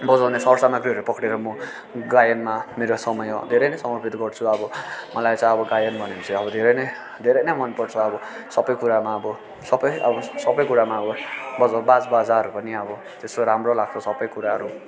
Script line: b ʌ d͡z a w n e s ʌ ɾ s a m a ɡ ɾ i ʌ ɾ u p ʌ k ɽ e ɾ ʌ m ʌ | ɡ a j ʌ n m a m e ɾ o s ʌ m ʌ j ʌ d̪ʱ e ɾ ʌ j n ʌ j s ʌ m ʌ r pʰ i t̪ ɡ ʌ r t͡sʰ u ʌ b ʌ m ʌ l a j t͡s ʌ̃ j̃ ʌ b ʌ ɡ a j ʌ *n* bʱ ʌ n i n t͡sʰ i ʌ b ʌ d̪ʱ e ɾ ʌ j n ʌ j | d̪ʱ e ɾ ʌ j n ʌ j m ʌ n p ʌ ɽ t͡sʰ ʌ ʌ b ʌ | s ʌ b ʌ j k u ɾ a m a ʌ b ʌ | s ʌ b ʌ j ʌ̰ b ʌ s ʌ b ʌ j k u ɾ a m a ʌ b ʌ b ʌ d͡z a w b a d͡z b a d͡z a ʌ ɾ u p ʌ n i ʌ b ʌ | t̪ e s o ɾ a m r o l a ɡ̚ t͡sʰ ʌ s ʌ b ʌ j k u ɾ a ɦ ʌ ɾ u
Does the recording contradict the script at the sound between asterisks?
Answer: no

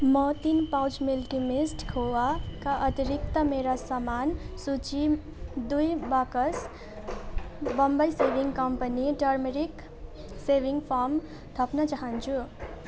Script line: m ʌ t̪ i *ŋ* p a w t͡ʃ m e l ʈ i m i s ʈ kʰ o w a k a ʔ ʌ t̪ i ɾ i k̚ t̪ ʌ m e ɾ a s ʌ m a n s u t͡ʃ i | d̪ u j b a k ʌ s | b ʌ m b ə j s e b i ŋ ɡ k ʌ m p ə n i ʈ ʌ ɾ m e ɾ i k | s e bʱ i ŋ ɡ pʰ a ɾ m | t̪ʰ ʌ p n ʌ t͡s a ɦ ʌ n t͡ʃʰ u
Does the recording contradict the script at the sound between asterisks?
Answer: yes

